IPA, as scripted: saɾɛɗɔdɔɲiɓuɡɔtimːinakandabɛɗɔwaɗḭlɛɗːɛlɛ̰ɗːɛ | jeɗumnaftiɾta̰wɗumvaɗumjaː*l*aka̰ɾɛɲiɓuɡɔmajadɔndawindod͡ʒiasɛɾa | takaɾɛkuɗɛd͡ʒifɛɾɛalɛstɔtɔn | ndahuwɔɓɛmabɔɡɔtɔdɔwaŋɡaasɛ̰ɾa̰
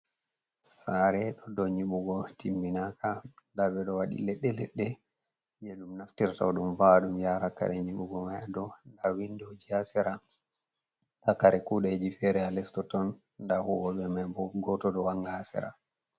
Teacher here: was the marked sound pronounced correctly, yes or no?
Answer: no